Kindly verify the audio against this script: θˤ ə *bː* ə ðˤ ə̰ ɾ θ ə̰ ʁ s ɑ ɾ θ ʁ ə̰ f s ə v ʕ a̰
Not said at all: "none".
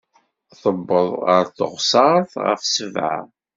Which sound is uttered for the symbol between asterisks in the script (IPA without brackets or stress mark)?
bː